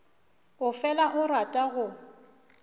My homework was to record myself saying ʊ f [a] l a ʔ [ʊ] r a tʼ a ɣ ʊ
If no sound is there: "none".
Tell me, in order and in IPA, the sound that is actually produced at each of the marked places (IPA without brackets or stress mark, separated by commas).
ɛ, ʊ